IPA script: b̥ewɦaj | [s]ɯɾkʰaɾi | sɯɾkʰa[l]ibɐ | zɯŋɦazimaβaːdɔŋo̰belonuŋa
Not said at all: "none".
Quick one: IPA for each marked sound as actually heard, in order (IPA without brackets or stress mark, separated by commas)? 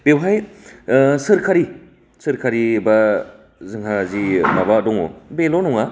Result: s, ɾ